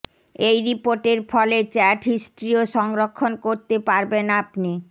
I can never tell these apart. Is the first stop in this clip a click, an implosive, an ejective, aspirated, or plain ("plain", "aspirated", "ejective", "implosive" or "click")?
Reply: plain